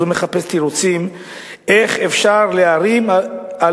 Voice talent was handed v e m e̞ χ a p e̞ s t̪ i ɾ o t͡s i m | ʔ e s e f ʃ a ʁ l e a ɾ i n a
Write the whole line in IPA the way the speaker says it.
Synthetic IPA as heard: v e m e̞ χ a p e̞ s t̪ i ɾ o t͡s i m | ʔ e χ e f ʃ a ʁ l e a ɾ i m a